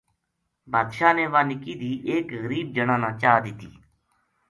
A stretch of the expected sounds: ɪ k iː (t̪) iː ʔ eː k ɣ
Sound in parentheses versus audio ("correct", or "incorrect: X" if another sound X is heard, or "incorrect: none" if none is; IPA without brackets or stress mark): incorrect: d̪